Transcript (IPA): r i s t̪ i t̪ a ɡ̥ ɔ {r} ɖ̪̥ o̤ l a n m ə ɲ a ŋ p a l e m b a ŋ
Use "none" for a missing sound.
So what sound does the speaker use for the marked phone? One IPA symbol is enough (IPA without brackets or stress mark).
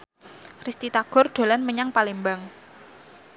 r